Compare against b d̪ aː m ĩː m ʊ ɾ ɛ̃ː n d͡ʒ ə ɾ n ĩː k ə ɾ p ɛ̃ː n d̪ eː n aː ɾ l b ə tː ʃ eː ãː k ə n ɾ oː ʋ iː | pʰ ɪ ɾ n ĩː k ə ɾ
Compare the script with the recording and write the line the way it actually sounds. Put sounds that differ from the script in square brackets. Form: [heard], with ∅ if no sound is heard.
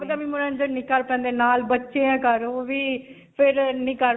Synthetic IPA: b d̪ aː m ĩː m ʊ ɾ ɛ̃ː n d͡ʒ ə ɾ n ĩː k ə ɾ p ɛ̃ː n d̪ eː n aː [∅] l b ə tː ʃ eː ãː k ə [∅] ɾ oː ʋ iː | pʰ ɪ ɾ n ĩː k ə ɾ